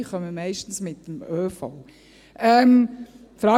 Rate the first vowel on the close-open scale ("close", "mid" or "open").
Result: mid